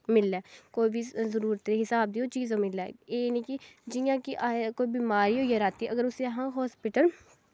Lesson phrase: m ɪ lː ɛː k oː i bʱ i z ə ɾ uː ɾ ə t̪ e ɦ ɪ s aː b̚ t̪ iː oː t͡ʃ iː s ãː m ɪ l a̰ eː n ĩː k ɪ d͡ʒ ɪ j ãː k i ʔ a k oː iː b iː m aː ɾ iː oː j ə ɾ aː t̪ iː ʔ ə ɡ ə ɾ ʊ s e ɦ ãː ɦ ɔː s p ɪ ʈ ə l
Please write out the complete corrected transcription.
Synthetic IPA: m ɪ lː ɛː k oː i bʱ i z ə ɾ uː ɾ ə t̪ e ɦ ɪ s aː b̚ d̪ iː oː t͡ʃ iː z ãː m ɪ l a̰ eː n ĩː k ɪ d͡ʒ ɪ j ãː k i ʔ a k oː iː b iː m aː ɾ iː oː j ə ɾ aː t̪ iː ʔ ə ɡ ə ɾ ʊ s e ɦ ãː ɦ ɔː s p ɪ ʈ ə l